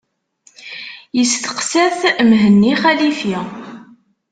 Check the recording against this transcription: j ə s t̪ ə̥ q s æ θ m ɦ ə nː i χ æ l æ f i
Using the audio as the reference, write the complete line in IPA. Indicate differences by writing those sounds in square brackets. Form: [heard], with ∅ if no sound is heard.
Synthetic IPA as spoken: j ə s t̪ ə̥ q s æ θ m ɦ ə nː i χ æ l [i] f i